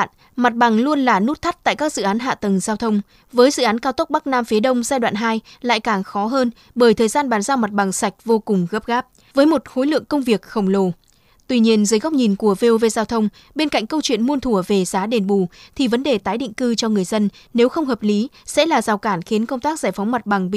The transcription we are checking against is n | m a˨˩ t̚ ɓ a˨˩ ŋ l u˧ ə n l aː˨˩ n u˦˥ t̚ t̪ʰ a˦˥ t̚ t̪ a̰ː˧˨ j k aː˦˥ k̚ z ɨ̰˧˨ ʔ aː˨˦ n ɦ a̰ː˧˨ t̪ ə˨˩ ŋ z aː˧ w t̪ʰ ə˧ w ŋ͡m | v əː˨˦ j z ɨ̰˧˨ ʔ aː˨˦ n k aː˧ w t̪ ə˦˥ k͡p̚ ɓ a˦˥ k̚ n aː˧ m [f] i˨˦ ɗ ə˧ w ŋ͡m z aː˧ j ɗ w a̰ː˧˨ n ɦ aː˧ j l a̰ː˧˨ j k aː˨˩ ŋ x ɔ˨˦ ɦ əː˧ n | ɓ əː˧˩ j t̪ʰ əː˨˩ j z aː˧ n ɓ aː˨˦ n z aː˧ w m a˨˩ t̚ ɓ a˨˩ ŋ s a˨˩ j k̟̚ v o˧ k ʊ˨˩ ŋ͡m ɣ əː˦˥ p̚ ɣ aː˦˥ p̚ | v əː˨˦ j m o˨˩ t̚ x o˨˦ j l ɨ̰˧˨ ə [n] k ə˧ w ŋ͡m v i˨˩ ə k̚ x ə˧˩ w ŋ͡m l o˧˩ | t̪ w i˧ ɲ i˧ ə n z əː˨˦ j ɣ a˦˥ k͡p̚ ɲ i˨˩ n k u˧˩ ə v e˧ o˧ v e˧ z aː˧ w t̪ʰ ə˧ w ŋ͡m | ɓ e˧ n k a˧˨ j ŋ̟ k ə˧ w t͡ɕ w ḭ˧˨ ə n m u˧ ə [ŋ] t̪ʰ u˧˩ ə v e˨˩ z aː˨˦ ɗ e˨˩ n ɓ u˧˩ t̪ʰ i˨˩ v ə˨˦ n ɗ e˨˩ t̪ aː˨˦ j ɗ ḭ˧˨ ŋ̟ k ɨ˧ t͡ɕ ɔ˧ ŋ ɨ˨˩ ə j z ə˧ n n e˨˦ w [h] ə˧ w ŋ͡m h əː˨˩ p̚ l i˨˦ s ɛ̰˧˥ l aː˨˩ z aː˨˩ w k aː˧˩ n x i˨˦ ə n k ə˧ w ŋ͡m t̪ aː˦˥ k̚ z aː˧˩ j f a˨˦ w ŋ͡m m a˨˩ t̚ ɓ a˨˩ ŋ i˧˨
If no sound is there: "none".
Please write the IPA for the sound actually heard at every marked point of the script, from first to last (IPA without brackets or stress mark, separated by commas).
f, ŋ, n, x